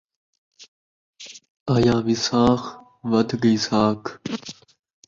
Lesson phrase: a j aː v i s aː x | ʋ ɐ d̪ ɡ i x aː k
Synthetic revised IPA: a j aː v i s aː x | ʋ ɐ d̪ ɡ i s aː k